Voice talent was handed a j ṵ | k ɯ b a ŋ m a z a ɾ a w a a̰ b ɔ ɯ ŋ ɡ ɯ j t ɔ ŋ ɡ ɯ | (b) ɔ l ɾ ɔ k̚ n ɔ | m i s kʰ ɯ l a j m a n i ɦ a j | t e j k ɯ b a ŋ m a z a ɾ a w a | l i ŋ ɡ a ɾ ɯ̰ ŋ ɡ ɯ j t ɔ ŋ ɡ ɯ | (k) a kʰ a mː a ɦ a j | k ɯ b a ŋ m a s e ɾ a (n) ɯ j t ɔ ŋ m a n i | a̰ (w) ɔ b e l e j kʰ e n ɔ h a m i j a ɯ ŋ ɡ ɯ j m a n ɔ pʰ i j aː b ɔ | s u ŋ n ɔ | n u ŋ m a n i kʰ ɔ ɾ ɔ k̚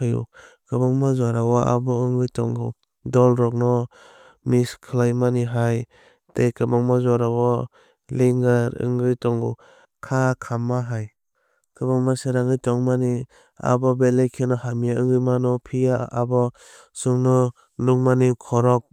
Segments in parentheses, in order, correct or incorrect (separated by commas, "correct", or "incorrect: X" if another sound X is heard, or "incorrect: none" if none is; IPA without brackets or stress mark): incorrect: d, incorrect: kʰ, incorrect: ŋ, incorrect: b